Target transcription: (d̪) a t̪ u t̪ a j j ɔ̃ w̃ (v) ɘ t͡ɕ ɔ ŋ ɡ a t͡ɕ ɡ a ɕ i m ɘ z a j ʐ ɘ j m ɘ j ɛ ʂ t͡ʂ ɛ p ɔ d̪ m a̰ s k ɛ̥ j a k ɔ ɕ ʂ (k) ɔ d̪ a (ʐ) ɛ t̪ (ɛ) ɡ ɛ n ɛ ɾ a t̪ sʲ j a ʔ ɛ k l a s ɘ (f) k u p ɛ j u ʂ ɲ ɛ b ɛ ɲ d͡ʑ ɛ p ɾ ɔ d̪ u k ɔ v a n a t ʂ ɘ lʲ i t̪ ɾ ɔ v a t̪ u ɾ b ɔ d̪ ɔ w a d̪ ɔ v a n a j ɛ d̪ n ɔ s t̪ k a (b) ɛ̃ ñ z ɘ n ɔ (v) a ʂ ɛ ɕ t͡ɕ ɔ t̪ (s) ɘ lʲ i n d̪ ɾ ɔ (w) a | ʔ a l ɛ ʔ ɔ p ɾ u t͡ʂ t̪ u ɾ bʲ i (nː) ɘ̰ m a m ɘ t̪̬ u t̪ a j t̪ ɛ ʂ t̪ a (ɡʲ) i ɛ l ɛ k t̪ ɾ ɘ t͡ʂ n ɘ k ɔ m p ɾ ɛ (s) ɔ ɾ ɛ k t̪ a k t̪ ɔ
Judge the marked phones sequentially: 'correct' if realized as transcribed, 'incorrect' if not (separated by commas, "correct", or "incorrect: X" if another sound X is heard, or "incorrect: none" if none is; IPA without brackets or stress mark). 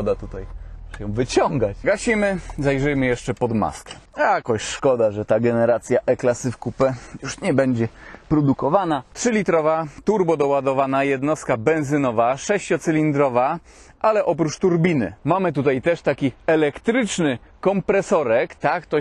correct, correct, correct, correct, incorrect: a, correct, correct, correct, correct, incorrect: v, incorrect: n, incorrect: kʲ, correct